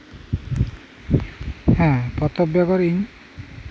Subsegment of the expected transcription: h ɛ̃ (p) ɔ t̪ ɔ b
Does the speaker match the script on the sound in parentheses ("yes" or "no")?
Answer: yes